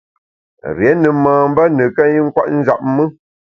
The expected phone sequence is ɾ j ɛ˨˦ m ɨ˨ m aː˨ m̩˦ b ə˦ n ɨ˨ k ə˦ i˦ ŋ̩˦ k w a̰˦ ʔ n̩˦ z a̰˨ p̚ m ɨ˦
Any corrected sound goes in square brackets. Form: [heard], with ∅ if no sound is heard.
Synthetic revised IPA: ɾ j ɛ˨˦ [n] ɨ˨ m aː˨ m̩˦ b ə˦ n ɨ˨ k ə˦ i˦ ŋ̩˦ k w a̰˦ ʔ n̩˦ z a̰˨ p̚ m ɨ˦